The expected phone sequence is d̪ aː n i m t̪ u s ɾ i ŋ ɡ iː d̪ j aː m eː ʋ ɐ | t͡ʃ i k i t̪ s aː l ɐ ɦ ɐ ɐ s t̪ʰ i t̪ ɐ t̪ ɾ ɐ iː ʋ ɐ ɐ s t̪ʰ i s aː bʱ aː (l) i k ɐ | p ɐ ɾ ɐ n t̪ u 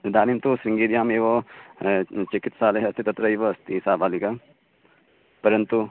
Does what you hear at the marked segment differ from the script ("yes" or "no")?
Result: no